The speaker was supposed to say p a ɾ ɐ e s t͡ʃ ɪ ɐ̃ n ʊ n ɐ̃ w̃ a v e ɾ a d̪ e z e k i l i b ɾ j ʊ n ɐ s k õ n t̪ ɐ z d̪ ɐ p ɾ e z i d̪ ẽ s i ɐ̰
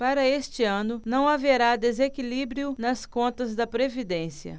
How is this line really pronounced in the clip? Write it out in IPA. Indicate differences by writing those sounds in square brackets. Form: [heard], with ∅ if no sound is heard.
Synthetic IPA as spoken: p a ɾ ɐ e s t͡ʃ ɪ ɐ̃ n ʊ n ɐ̃ w̃ a v e ɾ a d̪ e z e k i l i b ɾ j ʊ n ɐ s k õ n t̪ ɐ z d̪ ɐ p ɾ e [v] i d̪ ẽ s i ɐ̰